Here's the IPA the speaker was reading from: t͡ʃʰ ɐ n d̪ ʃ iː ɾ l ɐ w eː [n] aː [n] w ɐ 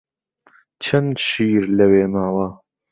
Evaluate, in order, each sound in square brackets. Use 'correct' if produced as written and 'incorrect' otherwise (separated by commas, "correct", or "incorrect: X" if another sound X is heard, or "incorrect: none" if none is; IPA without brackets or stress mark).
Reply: incorrect: m, incorrect: none